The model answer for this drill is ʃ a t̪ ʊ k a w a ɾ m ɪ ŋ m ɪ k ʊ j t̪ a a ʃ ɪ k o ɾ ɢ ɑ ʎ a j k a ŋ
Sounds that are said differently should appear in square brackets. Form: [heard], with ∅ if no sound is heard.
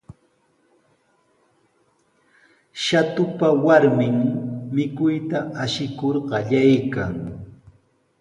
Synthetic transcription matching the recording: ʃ a t̪ ʊ [p] a w a ɾ m ɪ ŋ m ɪ k ʊ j t̪ a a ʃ ɪ k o ɾ ɢ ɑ ʎ a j k a ŋ